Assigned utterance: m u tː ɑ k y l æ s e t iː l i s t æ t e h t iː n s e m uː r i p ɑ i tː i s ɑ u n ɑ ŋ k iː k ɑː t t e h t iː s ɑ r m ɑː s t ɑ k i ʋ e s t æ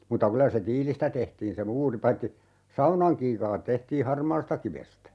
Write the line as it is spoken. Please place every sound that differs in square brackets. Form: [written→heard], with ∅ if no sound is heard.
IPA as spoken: m u tː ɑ k y l æ s e t iː l i s t æ t e h t iː n s e m uː r i p ɑ i tː i s ɑ u n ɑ ŋ k iː k ɑː t t e h t iː [s→h] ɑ r m ɑː s t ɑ k i ʋ e s t æ